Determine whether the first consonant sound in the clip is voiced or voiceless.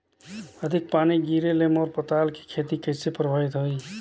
voiced